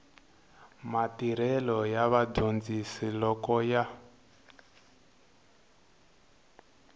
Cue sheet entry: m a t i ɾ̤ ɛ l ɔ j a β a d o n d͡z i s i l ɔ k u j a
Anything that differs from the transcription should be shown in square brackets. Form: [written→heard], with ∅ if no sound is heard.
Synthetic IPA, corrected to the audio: m a t i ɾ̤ ɛ l ɔ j a β a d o n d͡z i s i l ɔ k [u→ɔ] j a